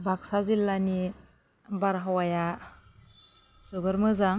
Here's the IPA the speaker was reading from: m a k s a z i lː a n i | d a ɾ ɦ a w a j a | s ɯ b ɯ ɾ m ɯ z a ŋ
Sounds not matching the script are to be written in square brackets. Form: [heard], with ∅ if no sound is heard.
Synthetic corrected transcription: [b] a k s a z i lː a n i | [b] a ɾ ɦ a w a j a | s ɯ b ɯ ɾ m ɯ z a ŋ

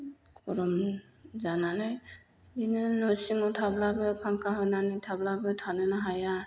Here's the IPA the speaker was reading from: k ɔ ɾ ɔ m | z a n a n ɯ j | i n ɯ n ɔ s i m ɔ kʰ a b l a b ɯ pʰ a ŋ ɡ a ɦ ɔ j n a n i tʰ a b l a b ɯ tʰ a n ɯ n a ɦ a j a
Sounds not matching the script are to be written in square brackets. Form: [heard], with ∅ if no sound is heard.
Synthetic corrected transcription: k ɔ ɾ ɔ m | z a n a n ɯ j | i n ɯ n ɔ s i [ŋ] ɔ [tʰ] a b l a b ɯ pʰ a ŋ [k] a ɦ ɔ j n a n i tʰ a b l a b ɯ tʰ a n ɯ n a ɦ a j a

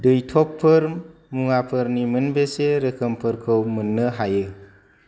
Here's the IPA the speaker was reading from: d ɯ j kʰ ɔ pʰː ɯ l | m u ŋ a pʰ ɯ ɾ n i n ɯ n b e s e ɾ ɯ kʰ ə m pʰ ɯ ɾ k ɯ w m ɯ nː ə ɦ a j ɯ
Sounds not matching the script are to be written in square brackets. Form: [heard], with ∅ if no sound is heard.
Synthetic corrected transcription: d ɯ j [tʰ] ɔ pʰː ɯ [ɾ] | m u ŋ a pʰ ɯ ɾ n i [m] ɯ n b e s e ɾ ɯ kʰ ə m pʰ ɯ ɾ [kʰ] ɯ w m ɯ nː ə ɦ a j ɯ

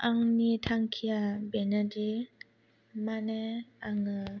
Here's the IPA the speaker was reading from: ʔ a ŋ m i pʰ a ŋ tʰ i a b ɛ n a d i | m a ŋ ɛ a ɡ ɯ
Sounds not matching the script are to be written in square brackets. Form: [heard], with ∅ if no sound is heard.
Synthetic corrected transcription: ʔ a ŋ [n] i [tʰ] a ŋ [kʰ] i a b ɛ n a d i | m a [n] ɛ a [ŋ] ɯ

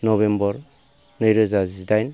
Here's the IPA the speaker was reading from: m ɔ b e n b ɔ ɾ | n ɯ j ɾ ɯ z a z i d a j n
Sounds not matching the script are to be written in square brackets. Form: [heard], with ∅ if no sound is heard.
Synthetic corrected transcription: [n] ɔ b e [m] b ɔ ɾ | n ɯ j ɾ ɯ z a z i d a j n

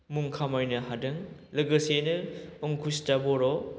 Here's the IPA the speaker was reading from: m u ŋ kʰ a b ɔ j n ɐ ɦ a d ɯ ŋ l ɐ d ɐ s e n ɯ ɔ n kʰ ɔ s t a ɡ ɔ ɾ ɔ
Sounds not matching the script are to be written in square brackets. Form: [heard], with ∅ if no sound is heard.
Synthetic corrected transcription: m u ŋ kʰ a [m] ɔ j n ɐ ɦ a d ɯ ŋ l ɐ [ɡ] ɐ s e n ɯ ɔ [ŋ] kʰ [u] s t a [b] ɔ ɾ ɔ

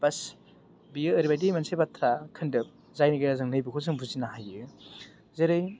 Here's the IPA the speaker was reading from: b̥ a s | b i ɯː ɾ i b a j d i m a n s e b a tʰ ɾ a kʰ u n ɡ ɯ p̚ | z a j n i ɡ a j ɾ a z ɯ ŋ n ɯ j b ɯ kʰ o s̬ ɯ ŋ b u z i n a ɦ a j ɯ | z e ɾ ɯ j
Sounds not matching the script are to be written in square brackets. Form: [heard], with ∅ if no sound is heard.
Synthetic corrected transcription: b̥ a s | b i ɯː ɾ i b a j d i m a n s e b a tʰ ɾ a kʰ [ɯ] n [d] ɯ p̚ | z a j n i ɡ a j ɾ a z ɯ ŋ n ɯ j b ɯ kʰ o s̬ ɯ ŋ b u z i n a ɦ a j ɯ | z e ɾ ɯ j

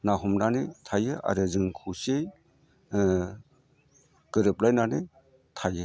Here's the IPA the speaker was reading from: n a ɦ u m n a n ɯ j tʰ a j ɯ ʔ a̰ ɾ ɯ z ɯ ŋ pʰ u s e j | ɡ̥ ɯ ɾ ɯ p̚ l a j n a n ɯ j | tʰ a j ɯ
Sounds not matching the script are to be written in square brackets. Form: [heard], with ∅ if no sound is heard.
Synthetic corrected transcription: n a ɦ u m n a n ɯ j tʰ a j ɯ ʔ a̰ ɾ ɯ z ɯ ŋ [kʰ] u s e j | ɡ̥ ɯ ɾ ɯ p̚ l a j n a n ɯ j | tʰ a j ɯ

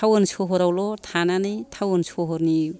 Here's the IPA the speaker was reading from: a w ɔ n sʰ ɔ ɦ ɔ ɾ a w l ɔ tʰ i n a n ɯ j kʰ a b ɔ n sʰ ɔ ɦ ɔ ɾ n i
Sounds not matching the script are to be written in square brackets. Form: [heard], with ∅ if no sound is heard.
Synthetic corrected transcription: a w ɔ n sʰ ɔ ɦ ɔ ɾ a w l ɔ tʰ [a] n a n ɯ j [tʰ] a [w] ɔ n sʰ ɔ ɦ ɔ ɾ n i

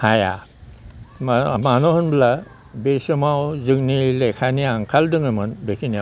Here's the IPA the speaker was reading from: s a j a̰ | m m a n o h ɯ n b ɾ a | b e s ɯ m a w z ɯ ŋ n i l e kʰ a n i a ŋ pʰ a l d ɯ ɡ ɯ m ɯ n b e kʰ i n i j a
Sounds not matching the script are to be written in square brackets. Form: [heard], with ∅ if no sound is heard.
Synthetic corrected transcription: [h] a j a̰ | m m a n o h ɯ n b [l] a | b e s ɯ m a w z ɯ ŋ n i l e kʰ a n i a ŋ [kʰ] a l d ɯ [ŋ] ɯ m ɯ n b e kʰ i n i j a

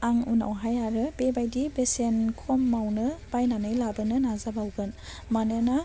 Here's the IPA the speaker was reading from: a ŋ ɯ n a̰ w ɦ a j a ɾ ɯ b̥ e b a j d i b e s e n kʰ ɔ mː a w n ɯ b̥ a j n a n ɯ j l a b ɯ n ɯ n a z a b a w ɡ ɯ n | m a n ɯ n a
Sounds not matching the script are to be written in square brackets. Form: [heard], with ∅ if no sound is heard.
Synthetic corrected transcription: a ŋ [u] n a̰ w ɦ a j a ɾ ɯ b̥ e b a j d i b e s e n kʰ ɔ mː a w n ɯ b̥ a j n a n ɯ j l a b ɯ n ɯ n a z a b a w ɡ ɯ n | m a n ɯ n a

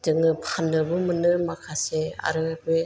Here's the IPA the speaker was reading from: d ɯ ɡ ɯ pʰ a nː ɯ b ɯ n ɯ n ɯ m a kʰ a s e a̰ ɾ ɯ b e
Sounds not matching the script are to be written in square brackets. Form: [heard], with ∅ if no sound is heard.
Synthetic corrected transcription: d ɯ [ŋ] ɯ pʰ a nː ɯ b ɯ [m] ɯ n ɯ m a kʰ a s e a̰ ɾ ɯ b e

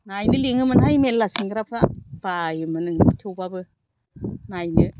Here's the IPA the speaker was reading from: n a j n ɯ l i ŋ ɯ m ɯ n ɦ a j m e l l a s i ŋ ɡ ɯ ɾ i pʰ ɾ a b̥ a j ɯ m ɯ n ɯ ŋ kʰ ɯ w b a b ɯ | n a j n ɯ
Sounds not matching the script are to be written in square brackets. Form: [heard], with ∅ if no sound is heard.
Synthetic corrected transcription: n a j n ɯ l i ŋ ɯ m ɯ n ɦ a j m e l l a s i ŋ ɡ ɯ ɾ [a] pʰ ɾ a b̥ a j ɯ m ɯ n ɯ ŋ [tʰ] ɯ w b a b ɯ | n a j n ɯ

